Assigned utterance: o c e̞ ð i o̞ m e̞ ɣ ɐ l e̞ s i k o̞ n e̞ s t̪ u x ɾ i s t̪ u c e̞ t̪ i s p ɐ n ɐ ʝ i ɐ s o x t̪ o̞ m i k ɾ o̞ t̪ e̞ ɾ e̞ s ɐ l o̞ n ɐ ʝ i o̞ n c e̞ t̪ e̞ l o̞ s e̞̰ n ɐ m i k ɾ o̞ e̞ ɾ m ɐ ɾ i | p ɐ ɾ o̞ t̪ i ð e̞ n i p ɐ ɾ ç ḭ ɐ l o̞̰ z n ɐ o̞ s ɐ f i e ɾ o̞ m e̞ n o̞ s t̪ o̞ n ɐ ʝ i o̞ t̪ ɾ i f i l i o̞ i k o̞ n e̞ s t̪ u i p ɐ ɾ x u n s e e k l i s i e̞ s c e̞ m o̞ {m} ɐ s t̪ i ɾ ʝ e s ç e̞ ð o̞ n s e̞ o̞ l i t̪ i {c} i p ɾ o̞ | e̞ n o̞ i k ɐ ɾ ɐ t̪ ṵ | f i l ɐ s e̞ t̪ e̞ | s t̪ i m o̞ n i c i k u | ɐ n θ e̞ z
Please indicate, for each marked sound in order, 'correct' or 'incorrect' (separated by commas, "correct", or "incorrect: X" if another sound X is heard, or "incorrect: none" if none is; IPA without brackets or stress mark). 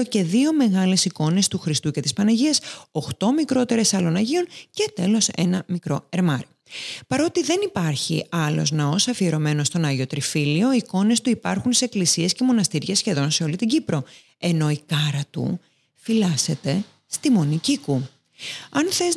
incorrect: n, incorrect: ɟ